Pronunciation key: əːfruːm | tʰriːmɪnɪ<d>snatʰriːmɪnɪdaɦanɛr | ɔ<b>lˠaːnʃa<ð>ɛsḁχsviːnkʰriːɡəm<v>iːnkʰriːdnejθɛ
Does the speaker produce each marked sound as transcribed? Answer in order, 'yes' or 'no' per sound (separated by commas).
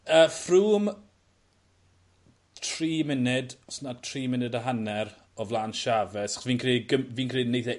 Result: yes, no, no, yes